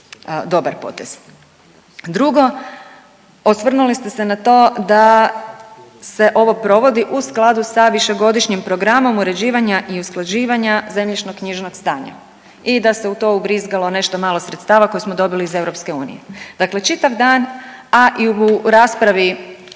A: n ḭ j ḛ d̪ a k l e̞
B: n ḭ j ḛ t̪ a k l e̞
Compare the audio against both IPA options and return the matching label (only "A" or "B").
A